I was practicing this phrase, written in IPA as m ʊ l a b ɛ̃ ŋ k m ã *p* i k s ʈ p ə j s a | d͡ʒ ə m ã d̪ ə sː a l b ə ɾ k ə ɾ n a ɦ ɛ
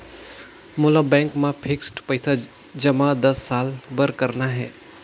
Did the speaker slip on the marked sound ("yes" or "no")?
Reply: yes